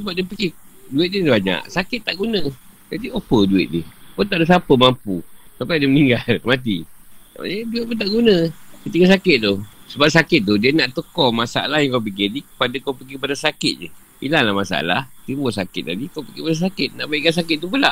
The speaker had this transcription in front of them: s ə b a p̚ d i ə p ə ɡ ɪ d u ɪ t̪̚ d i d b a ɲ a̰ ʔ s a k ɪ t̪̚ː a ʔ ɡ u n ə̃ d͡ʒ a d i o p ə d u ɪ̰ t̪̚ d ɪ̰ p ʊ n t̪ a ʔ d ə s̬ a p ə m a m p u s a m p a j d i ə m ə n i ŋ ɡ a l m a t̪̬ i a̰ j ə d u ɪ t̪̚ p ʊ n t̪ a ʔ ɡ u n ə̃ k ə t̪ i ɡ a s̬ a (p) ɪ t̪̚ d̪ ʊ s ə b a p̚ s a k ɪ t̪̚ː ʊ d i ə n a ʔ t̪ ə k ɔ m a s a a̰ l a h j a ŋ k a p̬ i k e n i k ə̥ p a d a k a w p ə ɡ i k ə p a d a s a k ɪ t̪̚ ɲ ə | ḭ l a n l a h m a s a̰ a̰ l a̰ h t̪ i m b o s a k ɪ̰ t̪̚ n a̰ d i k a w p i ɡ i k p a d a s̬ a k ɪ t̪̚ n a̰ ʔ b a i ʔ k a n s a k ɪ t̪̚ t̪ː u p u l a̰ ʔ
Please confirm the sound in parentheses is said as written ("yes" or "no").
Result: no